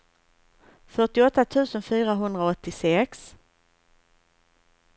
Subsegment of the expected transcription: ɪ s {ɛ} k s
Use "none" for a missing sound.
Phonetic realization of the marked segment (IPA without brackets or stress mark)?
ɛ